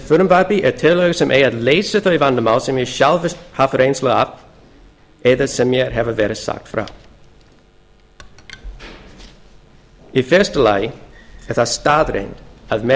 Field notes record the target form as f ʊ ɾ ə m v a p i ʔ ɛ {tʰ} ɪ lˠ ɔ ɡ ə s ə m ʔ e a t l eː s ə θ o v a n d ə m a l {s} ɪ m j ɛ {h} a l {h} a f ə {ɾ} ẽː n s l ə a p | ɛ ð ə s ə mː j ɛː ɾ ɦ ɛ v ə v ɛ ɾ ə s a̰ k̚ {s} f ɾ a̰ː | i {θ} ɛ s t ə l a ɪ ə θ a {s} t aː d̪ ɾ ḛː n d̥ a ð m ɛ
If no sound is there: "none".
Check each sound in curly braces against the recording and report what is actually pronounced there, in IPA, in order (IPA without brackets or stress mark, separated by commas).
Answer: tʰ, s, ʃ, h, ɾ, t, f, s